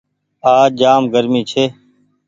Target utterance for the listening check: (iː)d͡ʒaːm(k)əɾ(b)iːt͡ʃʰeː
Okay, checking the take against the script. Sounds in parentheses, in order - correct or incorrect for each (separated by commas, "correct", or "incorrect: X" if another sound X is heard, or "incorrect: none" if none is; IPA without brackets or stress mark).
incorrect: aː, incorrect: ɡ, incorrect: m